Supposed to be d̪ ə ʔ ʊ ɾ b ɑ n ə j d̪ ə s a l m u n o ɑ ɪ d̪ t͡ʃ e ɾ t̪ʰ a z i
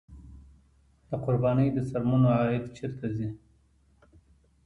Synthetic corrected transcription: d̪ ə q ʊ ɾ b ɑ n ə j d̪ ə s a ɾ m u n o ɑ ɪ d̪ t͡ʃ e ɾ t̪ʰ a z i

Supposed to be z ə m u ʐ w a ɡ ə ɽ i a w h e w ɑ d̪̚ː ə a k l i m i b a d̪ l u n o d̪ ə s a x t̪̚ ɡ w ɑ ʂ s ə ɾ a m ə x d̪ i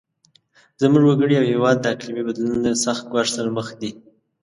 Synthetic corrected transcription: z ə m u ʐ w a ɡ ə ɽ i a w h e w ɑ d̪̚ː ə a k l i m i b a d̪ l u n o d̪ ə s a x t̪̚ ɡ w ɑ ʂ s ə ɾ a m ə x d̪ i

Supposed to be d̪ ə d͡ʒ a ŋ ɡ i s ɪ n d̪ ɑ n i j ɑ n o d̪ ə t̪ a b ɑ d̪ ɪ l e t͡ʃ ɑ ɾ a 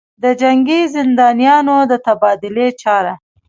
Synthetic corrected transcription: d̪ ə d͡ʒ a ŋ ɡ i z ɪ n d̪ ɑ n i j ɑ n o d̪ ə t̪ a b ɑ d̪ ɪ l e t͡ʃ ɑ ɾ a

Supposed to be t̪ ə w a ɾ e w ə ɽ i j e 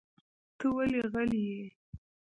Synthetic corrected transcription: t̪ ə w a l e ɣ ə l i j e

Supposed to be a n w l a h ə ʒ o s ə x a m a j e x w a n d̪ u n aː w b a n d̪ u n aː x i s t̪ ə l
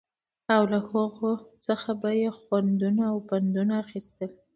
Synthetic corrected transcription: a w l a h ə ɣ o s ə x a b a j e x w a n d̪ u n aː w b a n d̪ u n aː x i s t̪ ə l

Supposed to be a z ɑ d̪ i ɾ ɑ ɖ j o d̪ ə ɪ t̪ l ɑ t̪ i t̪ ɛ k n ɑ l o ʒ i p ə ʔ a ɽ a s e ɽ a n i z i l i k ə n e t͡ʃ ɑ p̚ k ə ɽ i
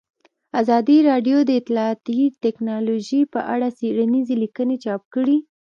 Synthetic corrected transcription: a z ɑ d̪ i ɾ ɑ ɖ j o d̪ ə ɪ t̪ l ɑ t̪ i t̪ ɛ k n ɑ l o ʒ i p ə ʔ a ɽ a s e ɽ a n i z e l i k ə n e t͡ʃ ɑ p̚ k ə ɽ i

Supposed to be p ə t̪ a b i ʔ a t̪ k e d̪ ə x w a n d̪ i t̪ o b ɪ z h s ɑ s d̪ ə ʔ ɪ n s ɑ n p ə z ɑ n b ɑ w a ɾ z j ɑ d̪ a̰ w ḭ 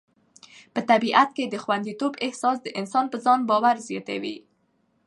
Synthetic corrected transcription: p ə t̪ a b i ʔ a t̪ k e d̪ ə x w a n d̪ i t̪ o b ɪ h s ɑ s d̪ ə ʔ ɪ n s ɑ n p ə z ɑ n b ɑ w a ɾ z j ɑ t̪ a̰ w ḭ

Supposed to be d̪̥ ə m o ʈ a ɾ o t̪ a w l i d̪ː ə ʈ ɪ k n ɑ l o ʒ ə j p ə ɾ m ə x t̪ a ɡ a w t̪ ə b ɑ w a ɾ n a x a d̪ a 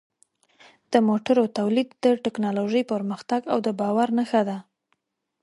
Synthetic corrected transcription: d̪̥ ə m o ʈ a ɾ o t̪ a w l i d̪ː ə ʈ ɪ k n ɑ l o ʒ ə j p ə ɾ m ə x t̪ a ɡ a w d̪ ə b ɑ w a ɾ n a x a d̪ a

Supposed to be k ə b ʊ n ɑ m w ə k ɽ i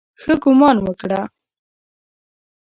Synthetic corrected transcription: x ə ɡ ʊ m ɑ n w ə k ɽ a

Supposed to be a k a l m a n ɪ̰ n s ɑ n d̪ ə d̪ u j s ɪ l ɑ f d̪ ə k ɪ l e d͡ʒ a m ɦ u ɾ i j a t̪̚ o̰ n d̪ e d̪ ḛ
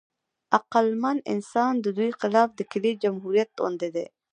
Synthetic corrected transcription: a q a l m a n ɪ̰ n s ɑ n d̪ ə d̪ u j x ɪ l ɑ f d̪ ə k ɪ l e d͡ʒ a m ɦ u ɾ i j a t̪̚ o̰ n d̪ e d̪ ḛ

